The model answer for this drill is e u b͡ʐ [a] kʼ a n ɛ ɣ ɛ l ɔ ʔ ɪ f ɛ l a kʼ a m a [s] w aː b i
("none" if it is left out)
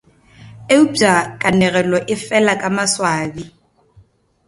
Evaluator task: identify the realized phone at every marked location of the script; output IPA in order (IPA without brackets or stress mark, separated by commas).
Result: a, s